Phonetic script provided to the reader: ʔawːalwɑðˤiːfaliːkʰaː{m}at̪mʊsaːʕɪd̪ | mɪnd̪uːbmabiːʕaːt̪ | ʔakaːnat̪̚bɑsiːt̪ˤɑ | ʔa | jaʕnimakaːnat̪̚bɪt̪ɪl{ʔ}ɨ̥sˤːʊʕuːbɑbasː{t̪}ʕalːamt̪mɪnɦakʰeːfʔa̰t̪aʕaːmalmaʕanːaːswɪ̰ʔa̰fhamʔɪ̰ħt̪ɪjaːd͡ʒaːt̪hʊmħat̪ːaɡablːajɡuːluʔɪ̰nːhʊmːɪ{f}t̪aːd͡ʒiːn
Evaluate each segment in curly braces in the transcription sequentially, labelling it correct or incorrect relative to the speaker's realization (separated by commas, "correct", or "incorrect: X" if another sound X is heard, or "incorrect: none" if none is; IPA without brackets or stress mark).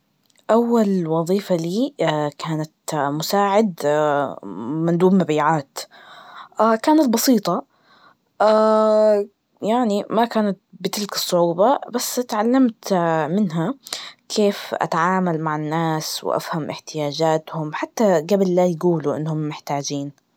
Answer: incorrect: n, incorrect: k, correct, incorrect: ħ